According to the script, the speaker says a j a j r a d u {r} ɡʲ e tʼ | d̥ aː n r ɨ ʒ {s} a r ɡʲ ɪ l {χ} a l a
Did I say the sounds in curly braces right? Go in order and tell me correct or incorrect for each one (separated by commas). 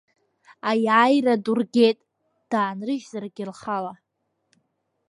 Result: correct, incorrect, correct